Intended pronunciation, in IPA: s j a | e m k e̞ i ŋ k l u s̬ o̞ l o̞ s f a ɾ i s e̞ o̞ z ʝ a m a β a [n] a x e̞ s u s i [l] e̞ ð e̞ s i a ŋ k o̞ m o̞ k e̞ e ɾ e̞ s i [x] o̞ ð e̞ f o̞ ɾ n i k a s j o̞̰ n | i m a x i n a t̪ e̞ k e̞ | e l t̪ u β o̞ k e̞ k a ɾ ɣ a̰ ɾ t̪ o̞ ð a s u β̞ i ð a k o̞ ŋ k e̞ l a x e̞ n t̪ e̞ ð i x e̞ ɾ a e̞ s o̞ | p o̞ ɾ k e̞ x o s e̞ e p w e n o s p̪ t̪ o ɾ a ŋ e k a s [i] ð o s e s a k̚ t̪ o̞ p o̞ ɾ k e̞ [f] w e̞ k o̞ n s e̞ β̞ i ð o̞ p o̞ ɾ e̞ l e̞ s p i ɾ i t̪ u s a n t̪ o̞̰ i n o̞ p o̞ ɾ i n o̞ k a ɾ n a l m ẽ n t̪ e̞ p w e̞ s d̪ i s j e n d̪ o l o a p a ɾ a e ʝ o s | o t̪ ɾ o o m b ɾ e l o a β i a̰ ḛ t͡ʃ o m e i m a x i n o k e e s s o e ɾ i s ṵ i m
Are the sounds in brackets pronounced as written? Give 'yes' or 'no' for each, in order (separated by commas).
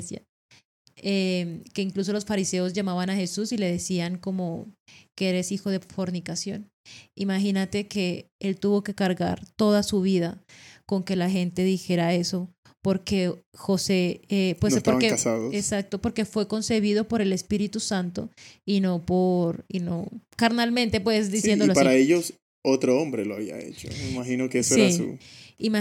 yes, yes, yes, no, yes